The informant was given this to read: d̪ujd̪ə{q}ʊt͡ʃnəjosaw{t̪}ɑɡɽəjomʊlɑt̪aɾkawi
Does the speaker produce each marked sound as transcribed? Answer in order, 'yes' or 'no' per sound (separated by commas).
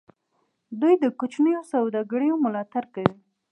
no, no